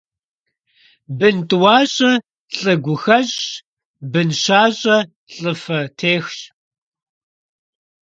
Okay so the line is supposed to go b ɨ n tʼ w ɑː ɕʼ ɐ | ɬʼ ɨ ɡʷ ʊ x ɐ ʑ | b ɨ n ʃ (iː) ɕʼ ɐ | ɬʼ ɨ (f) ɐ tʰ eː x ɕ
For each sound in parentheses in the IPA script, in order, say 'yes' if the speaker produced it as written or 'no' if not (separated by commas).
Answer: no, yes